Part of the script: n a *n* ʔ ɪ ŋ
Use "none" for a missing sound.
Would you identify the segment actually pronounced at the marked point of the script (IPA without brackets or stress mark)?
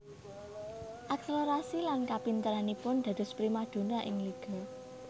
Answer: none